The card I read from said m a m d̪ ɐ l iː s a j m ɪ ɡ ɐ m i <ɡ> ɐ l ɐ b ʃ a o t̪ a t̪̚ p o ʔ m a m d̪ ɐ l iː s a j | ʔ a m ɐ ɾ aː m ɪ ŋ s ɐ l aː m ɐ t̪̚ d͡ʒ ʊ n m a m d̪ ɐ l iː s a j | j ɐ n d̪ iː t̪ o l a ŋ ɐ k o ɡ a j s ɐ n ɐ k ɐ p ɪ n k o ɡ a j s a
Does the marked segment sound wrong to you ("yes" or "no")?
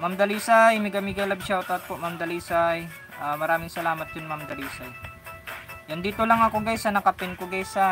no